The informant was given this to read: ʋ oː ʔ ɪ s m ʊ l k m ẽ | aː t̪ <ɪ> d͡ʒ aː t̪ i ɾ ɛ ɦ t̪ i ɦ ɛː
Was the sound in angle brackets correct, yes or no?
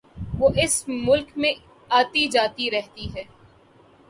no